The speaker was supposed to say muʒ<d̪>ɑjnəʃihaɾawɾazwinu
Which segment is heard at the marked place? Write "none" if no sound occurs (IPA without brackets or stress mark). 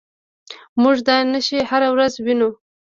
d̪